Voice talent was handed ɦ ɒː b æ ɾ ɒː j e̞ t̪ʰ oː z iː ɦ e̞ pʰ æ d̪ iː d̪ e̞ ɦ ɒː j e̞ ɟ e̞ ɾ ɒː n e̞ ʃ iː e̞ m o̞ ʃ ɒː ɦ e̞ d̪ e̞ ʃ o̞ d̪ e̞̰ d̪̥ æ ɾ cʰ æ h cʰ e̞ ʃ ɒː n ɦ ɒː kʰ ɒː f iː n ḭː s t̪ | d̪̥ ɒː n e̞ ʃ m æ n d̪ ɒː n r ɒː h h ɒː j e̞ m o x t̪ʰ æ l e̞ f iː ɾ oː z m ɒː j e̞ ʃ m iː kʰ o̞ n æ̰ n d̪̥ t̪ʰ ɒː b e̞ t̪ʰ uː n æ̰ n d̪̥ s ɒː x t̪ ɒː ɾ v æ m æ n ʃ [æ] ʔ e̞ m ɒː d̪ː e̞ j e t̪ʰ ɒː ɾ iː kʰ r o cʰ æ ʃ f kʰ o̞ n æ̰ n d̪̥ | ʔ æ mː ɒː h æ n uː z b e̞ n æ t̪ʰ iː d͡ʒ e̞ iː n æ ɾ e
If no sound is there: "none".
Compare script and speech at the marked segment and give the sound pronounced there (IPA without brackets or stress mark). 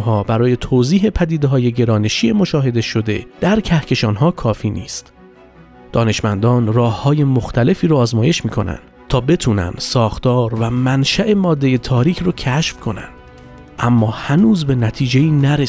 æ